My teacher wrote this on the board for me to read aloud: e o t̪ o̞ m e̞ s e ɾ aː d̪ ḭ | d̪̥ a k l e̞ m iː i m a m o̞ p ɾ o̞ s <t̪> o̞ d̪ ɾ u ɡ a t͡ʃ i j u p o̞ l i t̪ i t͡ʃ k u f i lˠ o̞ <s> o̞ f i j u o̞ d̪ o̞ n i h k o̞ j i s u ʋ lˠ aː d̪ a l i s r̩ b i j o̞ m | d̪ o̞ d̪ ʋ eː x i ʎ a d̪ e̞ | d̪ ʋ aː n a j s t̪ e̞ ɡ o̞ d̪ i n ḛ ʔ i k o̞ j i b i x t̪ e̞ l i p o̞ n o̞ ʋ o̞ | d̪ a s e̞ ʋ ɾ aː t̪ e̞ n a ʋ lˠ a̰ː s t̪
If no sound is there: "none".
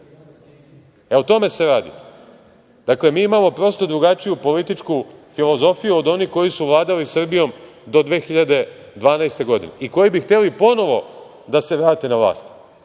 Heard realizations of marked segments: t̪, z

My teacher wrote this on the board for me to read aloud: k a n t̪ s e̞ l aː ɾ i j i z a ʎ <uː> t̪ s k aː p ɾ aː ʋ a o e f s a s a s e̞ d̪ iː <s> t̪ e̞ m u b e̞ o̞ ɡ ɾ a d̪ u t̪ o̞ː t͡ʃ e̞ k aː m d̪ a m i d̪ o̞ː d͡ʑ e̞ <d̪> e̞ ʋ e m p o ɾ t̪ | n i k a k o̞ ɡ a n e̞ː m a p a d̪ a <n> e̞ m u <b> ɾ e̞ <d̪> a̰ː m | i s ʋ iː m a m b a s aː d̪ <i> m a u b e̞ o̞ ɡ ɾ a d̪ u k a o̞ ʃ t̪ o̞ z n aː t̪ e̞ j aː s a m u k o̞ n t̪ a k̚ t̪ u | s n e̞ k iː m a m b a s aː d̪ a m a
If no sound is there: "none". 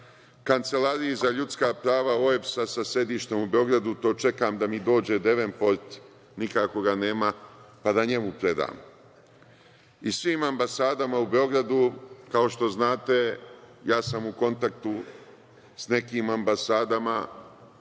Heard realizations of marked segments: u, ʃ, d̪, ɲ, p, d̪, a

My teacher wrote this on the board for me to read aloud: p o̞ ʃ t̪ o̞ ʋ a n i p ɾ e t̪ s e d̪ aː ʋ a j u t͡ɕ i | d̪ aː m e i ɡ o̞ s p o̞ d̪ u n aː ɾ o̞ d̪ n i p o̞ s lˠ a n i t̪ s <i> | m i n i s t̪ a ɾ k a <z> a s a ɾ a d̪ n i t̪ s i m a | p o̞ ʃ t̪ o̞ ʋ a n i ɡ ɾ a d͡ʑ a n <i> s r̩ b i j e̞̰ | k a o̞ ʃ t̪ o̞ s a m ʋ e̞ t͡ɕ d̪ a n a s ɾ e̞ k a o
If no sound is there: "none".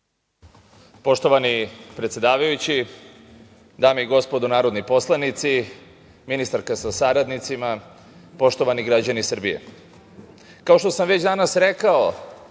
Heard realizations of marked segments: i, s, i

